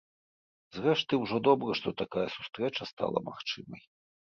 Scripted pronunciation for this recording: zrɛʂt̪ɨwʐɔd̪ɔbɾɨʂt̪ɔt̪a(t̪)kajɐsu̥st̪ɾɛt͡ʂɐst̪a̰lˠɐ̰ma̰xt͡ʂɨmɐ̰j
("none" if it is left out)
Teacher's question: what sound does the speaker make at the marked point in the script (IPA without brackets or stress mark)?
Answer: none